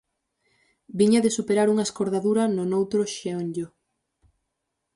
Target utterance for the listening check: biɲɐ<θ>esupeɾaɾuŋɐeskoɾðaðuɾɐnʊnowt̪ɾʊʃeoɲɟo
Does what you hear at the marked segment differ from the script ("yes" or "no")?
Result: yes